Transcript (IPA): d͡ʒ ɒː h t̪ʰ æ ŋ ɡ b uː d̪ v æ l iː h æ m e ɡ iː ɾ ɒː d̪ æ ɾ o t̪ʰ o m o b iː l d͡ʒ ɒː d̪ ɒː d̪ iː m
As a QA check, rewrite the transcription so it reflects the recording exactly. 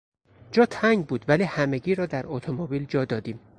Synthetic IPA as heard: d͡ʒ ɒː t̪ʰ æ ŋ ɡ b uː d̪ v æ l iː h æ m e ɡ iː ɾ ɒː d̪ æ ɾ o t̪ʰ o m o b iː l d͡ʒ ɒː d̪ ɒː d̪ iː m